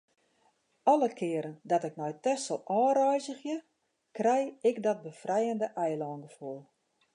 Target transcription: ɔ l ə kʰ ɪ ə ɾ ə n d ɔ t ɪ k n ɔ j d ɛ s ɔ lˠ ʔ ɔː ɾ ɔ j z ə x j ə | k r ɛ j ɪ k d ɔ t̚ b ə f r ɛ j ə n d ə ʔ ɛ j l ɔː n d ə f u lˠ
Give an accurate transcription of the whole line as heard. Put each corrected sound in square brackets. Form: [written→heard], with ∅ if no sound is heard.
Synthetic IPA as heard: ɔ l ə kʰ ɪ ə ɾ ə n d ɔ t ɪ k n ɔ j [d→t] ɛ s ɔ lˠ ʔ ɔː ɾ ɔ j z ə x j ə | k r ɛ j ɪ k d ɔ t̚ b ə f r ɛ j ə n d ə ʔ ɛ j l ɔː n [d→ɡ] ə f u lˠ